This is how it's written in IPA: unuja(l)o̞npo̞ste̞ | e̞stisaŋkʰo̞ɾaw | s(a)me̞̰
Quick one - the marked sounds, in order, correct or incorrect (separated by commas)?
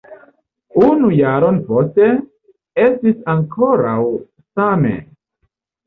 incorrect, correct